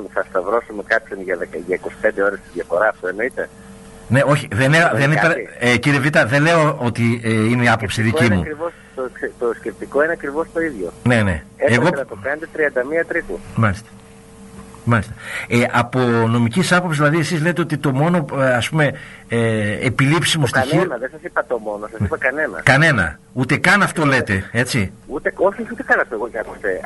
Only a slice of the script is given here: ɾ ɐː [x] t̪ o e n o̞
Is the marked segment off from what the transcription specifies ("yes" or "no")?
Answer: yes